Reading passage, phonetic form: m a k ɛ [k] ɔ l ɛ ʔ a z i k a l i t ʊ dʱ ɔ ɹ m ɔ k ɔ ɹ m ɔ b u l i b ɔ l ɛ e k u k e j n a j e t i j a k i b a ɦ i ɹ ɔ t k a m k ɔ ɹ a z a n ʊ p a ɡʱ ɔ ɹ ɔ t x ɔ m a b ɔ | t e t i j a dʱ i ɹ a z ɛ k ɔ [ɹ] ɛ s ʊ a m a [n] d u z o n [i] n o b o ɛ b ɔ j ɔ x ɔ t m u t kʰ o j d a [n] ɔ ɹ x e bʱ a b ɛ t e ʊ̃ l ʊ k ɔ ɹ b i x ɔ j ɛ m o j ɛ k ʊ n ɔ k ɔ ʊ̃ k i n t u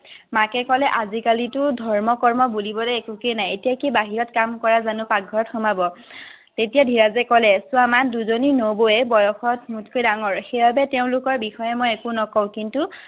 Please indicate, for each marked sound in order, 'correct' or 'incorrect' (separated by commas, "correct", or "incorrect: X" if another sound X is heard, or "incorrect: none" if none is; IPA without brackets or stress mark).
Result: correct, incorrect: l, correct, correct, incorrect: ŋ